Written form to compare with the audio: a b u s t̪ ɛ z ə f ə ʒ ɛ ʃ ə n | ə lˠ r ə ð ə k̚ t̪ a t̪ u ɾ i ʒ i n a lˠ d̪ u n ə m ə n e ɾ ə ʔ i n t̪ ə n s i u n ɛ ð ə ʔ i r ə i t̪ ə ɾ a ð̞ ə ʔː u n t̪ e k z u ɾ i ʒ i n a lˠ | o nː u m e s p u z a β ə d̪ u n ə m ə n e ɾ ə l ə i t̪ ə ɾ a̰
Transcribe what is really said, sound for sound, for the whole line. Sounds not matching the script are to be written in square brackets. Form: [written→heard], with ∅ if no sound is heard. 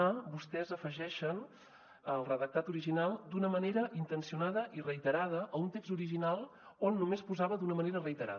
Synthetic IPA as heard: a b u s t̪ ɛ z ə f ə ʒ ɛ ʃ ə n | ə lˠ r ə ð ə k̚ t̪ a t̪ u ɾ i ʒ i n a lˠ d̪ u n ə m ə n e ɾ ə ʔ i n t̪ ə n s i u n [ɛ→a] ð ə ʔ i r ə i t̪ ə ɾ a ð̞ ə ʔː u n t̪ e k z u ɾ i ʒ i n a lˠ | o nː u m e s p u z a β ə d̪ u n ə m ə n e ɾ ə [l→r] ə i t̪ ə ɾ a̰